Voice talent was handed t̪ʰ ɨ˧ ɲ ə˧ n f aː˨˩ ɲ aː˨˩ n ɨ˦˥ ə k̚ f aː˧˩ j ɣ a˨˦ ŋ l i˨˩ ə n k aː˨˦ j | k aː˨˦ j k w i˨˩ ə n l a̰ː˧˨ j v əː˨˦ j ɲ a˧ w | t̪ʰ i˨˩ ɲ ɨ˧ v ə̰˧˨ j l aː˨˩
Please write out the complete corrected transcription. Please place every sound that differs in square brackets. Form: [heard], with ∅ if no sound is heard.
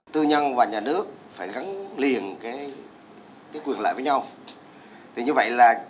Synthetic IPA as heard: [t̪] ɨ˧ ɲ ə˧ n [v] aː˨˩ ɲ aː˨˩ n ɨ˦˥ ə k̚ f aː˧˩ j ɣ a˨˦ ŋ l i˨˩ ə n k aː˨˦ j | k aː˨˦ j k w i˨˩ ə n l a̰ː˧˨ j v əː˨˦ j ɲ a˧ w | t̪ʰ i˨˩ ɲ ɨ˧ v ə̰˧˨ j l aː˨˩